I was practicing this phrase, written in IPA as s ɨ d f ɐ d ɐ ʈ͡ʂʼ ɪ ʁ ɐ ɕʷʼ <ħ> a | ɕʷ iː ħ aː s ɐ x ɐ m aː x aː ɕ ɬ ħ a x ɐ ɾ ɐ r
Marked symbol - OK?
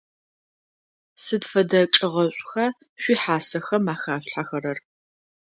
no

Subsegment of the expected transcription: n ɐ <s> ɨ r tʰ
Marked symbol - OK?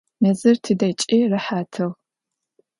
no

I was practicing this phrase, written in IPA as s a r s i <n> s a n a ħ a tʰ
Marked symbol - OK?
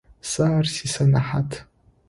no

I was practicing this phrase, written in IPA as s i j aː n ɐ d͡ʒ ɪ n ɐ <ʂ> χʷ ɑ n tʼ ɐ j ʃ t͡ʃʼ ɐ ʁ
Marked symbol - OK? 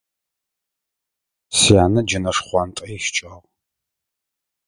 yes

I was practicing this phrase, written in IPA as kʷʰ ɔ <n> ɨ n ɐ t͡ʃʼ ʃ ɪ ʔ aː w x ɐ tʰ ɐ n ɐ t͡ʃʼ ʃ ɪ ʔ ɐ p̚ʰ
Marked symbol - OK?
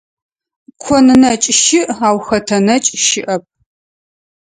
yes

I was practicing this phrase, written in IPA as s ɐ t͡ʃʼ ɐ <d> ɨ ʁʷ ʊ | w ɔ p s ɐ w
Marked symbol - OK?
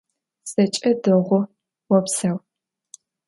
yes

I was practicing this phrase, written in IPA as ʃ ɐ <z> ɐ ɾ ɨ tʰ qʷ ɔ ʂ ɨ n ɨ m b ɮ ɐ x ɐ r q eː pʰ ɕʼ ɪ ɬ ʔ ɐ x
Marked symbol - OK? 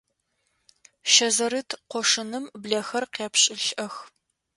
yes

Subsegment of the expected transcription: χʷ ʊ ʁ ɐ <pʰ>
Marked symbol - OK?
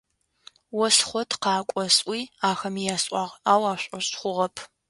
yes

